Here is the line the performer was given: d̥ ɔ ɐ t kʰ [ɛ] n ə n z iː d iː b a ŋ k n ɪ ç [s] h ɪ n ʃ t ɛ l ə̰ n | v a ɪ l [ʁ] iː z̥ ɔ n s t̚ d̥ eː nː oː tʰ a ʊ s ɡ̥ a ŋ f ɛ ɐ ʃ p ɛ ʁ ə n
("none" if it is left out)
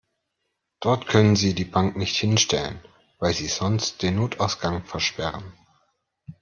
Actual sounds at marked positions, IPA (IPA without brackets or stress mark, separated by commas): œ, t, z